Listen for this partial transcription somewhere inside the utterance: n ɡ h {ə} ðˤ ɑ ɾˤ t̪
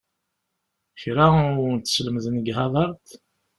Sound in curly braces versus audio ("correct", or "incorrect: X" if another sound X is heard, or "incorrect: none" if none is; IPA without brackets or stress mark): incorrect: ɑ